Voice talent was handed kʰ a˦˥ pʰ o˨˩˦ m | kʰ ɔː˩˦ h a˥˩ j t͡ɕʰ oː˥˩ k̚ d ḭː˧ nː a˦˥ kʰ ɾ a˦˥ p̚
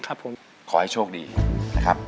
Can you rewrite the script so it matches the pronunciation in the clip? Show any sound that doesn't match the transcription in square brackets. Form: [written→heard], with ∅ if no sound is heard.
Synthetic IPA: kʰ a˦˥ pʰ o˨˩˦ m | kʰ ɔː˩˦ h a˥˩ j t͡ɕʰ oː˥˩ k̚ d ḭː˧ [nː→n] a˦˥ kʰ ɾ a˦˥ p̚